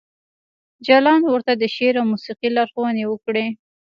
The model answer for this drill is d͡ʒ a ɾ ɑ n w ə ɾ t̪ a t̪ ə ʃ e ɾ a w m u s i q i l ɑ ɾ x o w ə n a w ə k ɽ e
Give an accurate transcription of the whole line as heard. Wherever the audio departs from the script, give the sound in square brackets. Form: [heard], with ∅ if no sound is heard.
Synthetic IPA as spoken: d͡ʒ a [l] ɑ n w ə ɾ t̪ a [d̪] ə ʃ e ɾ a w m u s i q i l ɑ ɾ x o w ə n [e] w ə k ɽ e